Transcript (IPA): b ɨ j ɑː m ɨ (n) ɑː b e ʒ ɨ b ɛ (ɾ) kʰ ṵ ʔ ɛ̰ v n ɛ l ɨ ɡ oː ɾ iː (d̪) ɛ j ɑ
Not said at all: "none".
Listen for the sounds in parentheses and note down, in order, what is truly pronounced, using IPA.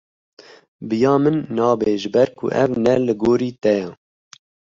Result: nː, ɾ, t̪

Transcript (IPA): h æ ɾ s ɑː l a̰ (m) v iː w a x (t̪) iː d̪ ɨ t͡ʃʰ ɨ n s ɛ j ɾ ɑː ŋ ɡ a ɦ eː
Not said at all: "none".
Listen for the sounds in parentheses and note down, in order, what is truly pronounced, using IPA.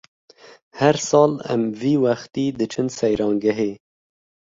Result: m, t̪

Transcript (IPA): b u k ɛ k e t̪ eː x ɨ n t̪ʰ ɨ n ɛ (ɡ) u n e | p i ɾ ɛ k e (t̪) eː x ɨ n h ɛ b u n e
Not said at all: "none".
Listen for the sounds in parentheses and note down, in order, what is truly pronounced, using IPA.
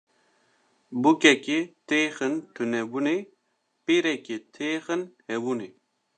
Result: b, t̪ʰ

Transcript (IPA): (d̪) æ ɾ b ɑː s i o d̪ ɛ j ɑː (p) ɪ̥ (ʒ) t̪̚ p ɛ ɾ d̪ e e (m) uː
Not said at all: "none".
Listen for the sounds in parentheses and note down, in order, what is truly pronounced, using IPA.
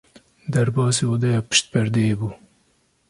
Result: d̪, p, ʃ, b

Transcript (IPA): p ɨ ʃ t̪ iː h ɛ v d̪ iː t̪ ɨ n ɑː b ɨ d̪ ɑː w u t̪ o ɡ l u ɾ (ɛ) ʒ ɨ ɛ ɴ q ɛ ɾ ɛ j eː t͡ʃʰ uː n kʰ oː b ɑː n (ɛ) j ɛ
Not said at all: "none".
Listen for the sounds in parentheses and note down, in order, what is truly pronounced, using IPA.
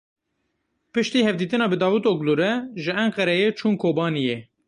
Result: ɛ, i

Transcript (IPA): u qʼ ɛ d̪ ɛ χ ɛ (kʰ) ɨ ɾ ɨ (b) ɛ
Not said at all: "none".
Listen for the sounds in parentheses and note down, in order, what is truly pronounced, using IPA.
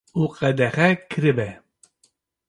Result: kʰ, b

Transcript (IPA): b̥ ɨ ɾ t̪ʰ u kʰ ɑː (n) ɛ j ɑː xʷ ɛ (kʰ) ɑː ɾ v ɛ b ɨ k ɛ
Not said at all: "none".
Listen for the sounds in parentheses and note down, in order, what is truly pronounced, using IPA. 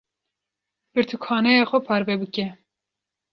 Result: n, pʰ

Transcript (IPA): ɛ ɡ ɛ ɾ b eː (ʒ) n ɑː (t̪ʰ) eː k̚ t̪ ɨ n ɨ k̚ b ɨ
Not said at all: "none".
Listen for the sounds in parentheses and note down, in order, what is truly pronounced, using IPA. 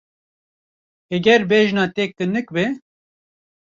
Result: ʒ, t̪

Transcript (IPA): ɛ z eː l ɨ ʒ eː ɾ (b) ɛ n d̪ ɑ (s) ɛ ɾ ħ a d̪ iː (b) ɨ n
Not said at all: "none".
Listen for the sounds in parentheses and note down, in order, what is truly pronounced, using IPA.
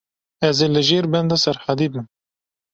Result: b, s, b

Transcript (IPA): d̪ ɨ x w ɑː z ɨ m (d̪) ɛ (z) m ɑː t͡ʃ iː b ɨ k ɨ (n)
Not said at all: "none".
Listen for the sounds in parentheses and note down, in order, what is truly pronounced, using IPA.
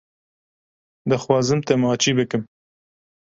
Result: t̪, none, m

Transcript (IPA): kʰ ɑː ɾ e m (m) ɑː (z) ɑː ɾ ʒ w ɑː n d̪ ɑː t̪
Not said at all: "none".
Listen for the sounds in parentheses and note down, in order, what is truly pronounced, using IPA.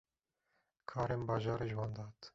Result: b, ʒ

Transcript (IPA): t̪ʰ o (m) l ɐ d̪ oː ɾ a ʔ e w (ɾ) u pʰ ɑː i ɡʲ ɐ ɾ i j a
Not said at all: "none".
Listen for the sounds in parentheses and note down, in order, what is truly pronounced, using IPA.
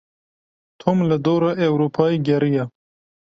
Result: m, ɾ

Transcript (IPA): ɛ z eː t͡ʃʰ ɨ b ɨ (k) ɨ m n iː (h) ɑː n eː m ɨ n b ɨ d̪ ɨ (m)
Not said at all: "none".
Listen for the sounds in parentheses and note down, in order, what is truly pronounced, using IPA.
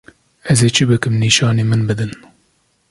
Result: k, ʃ, n

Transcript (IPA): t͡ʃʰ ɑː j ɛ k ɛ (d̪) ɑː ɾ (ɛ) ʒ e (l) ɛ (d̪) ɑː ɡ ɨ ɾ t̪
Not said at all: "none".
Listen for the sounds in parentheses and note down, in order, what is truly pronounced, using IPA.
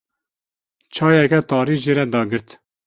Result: t̪, i, ɾ, d̪

